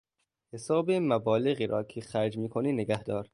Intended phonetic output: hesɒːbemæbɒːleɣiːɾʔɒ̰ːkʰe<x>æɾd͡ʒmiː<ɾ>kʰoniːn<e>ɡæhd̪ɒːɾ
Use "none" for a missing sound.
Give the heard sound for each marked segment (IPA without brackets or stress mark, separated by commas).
x, none, e